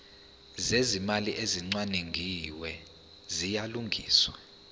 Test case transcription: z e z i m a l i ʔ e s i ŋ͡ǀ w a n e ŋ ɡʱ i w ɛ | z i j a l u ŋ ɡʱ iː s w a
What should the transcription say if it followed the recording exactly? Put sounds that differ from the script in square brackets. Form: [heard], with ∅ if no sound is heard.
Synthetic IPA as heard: z e z i m a l i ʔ e [z] i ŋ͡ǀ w a n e ŋ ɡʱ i w ɛ | z i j a l u ŋ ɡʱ iː s w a